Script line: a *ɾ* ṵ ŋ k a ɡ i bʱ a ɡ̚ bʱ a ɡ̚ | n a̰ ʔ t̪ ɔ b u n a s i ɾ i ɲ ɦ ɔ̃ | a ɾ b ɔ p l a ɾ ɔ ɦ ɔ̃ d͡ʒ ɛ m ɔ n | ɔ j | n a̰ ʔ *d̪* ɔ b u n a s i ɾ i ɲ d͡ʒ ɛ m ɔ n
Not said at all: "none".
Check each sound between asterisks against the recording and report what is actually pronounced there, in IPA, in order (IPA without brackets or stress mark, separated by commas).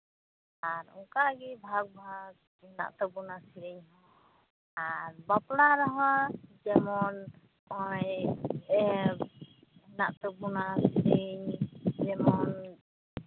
ɾ, t̪